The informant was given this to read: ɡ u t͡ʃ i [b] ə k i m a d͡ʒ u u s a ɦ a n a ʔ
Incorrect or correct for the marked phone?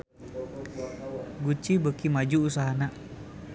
correct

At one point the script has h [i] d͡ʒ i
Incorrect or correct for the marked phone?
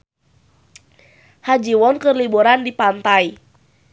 incorrect: a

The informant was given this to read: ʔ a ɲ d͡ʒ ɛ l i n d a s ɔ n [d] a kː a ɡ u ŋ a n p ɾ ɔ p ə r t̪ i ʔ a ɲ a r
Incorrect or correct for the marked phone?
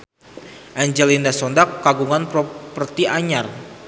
correct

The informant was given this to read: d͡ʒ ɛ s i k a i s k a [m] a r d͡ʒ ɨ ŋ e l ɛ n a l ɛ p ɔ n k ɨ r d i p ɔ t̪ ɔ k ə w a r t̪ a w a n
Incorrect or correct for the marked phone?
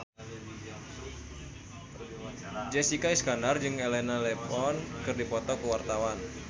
incorrect: n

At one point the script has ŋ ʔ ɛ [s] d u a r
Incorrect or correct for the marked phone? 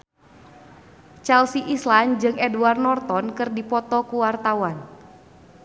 incorrect: none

